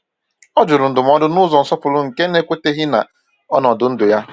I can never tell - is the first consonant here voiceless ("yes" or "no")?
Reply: no